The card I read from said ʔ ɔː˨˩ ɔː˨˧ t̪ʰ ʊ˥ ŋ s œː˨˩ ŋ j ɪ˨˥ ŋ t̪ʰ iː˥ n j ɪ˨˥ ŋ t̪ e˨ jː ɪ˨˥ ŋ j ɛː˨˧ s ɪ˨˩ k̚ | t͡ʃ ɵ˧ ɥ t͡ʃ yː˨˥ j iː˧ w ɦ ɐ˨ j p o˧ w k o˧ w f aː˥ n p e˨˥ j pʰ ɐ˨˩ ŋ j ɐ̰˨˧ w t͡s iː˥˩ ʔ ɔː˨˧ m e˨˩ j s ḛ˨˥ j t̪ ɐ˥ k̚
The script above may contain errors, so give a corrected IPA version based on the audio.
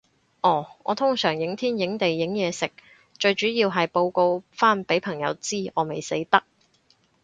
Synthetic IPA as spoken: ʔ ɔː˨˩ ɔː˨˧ t̪ʰ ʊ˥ ŋ s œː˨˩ ŋ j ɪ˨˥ ŋ t̪ʰ iː˥ n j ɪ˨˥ ŋ t̪ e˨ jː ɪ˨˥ ŋ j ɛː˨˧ s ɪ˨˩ k̚ | t͡ʃ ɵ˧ ɥ t͡ʃ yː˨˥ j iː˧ w ɦ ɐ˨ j p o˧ w k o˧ w f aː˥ n p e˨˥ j pʰ ɐ˨˩ ŋ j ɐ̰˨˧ w t͡s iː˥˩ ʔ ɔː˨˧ m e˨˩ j s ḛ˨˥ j t̪ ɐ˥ k̚